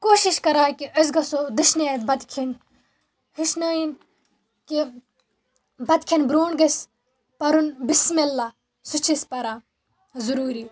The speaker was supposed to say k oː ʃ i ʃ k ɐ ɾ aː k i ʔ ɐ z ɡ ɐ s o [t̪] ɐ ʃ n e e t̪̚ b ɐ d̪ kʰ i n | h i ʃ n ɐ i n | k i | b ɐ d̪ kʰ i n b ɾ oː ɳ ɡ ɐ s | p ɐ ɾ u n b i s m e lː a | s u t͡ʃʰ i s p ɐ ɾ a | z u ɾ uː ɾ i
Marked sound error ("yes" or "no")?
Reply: yes